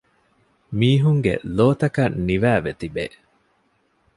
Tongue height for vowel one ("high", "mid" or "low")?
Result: high